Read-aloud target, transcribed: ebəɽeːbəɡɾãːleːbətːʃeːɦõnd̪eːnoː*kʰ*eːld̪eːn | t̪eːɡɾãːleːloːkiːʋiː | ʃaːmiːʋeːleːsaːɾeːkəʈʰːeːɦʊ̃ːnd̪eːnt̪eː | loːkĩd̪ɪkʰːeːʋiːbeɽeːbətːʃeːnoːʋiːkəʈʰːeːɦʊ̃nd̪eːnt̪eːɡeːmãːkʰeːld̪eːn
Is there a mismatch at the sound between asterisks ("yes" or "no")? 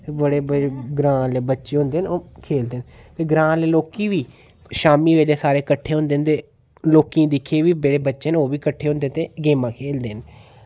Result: no